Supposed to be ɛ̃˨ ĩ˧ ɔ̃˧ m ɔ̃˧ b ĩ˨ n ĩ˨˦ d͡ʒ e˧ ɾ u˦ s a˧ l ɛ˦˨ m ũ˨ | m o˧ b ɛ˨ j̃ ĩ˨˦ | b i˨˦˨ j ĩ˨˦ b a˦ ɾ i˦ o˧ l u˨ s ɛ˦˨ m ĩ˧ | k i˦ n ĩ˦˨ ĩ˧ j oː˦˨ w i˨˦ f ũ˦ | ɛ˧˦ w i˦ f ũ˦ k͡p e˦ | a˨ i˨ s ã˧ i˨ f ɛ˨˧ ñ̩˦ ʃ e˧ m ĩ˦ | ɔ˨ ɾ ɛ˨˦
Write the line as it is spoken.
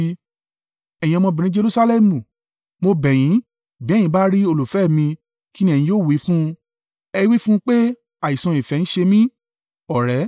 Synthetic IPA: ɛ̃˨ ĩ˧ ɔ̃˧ m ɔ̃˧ b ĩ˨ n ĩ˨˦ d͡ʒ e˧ ɾ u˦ s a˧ l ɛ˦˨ m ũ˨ | m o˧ b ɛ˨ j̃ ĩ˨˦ | b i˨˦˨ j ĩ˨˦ b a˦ ɾ i˦ o˧ l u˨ f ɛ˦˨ m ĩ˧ | k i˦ n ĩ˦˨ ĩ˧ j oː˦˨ w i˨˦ f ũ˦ | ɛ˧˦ w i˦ f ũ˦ k͡p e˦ | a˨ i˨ s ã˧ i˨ f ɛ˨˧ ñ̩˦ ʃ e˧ m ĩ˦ | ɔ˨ ɾ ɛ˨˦